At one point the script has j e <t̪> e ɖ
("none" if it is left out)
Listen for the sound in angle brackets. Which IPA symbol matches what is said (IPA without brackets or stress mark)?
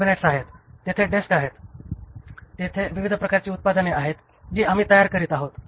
t̪ʰ